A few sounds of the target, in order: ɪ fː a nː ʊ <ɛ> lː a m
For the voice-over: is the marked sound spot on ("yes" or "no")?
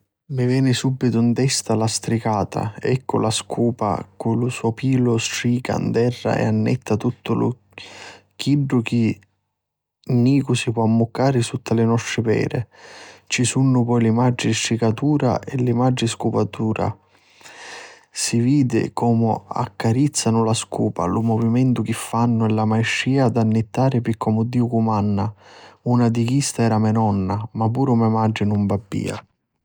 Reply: yes